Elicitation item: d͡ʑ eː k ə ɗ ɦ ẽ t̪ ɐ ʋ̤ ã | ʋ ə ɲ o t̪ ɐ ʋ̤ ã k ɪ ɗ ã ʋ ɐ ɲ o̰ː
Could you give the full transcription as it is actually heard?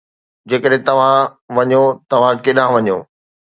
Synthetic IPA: d͡ʑ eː k ə ɗ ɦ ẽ t̪ ɐ ʋ̤ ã | ʋ ɐ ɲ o t̪ ɐ ʋ̤ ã k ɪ ɗ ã ʋ ɐ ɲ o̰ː